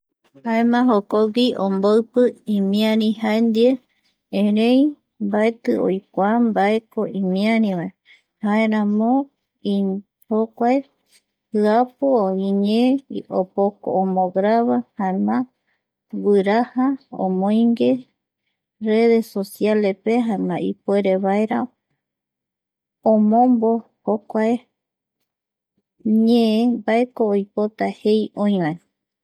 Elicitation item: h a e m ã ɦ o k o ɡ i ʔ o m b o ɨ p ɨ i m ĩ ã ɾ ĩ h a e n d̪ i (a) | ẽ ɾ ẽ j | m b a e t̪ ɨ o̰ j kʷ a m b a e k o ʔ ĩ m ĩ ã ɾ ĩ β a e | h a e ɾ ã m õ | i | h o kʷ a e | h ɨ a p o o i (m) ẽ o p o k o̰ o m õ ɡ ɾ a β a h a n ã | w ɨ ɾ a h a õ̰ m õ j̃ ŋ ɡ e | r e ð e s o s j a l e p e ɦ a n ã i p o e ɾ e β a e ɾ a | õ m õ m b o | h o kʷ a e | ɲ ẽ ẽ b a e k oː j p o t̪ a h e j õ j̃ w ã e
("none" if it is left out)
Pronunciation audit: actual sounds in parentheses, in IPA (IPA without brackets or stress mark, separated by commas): e, ɲ